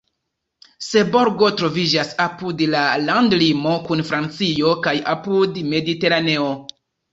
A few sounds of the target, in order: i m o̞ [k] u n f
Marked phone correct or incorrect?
correct